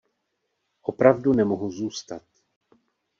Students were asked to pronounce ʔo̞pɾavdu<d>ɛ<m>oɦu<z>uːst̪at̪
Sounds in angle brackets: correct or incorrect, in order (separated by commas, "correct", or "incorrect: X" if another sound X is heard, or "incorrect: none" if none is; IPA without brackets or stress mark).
incorrect: n, correct, correct